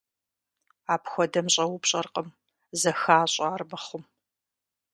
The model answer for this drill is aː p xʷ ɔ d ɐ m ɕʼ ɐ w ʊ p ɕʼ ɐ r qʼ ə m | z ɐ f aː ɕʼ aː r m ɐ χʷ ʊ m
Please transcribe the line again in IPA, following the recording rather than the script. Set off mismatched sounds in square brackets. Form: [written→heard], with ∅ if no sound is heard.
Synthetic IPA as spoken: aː p xʷ ɔ d ɐ m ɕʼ ɐ w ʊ p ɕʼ ɐ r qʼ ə m | z ɐ [f→x] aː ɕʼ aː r m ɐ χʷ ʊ m